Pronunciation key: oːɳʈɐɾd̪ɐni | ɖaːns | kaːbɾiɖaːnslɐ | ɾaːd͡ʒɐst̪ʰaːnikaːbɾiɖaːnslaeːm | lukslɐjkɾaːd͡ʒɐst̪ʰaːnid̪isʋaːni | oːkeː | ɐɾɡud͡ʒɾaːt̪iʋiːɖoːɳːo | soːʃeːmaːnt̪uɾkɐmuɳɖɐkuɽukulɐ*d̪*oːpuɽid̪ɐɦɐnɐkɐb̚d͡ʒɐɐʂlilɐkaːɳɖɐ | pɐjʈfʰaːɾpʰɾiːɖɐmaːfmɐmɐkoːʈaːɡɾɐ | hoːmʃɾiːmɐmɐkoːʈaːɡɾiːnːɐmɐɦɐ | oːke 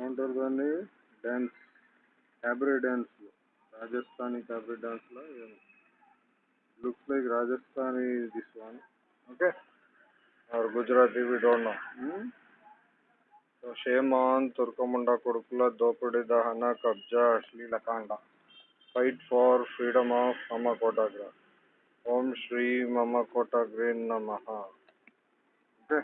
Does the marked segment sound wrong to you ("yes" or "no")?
no